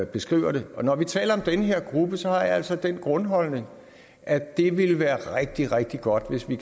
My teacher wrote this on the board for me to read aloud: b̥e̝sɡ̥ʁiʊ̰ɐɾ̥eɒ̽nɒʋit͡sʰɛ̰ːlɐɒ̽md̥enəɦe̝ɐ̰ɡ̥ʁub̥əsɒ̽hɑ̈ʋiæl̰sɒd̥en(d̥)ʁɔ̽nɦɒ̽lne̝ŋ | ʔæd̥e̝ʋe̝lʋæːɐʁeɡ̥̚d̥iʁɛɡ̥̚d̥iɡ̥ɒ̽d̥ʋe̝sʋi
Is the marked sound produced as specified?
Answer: no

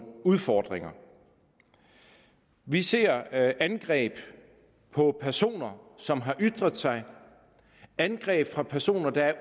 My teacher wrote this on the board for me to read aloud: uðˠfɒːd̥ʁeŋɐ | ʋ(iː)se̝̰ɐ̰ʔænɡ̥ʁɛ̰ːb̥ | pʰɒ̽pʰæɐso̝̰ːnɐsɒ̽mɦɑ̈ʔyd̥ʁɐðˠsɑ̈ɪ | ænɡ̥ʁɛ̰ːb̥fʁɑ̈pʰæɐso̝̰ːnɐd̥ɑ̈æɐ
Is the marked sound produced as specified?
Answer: no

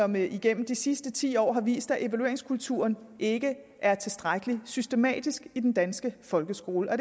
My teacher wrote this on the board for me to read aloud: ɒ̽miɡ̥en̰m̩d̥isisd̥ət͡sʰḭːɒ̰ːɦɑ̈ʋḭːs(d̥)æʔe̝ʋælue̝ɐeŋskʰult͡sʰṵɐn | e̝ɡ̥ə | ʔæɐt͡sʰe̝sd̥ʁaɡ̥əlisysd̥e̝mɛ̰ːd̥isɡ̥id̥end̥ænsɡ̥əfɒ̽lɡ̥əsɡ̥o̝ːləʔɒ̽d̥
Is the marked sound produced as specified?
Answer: yes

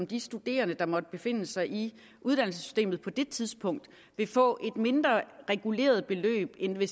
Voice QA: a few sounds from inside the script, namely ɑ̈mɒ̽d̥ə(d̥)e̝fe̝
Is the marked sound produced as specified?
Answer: no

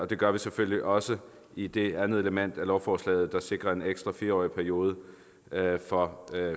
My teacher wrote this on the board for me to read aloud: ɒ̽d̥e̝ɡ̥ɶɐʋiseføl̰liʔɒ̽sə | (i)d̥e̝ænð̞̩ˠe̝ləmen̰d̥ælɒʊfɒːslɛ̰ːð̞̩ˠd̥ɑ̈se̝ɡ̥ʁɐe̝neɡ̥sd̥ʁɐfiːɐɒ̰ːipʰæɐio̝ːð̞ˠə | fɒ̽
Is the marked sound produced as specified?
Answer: yes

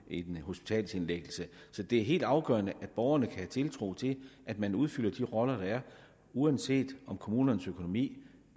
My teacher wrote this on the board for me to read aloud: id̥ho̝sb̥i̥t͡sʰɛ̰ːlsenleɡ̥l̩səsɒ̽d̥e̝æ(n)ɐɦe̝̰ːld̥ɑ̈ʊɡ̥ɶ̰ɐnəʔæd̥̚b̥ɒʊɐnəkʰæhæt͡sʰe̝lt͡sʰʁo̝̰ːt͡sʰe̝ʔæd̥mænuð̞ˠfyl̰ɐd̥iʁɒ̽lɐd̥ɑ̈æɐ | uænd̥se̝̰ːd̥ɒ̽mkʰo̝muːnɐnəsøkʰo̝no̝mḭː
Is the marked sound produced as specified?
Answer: no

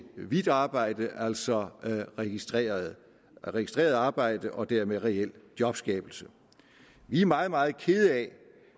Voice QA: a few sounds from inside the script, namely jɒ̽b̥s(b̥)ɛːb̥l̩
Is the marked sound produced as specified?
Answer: no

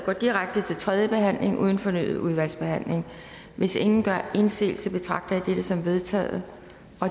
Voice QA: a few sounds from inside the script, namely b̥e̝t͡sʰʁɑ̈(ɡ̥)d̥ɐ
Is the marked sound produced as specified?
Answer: yes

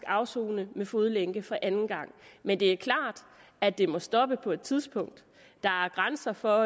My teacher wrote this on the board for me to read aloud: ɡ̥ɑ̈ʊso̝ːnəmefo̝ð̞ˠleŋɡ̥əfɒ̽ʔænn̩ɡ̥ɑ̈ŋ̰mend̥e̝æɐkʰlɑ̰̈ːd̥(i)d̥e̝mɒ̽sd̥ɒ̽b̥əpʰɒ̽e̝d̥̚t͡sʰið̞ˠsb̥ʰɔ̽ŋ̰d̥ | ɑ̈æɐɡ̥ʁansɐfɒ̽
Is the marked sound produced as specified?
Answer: no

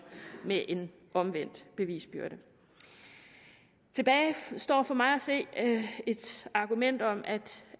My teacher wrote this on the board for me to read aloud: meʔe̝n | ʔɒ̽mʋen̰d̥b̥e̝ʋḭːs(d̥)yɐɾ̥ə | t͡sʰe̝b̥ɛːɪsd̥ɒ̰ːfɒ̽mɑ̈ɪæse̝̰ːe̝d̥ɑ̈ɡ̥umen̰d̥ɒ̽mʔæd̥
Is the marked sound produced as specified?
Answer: no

